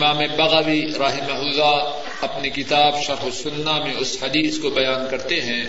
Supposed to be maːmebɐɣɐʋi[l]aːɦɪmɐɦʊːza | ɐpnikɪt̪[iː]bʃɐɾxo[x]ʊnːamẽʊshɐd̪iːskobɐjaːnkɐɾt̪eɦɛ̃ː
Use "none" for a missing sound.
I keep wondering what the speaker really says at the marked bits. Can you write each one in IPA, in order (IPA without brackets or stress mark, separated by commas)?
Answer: ɾ, aː, s